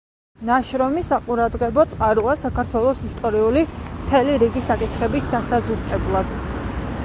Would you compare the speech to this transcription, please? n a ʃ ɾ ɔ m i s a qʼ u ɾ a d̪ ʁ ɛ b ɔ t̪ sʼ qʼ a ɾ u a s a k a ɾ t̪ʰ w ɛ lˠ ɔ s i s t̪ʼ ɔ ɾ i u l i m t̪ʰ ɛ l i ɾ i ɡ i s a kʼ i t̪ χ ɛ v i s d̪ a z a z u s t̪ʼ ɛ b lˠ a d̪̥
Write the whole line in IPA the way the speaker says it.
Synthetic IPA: n a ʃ ɾ ɔ m i s a qʼ u ɾ a d̪ ʁ ɛ b ɔ t̪ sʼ qʼ a ɾ u a s a k a ɾ t̪ʰ w ɛ lˠ ɔ s i s t̪ʼ ɔ ɾ i u l i m t̪ʰ ɛ l i ɾ i ɡ i s a kʼ i t̪ χ ɛ b i s d̪ a s a z u s t̪ʼ ɛ b lˠ a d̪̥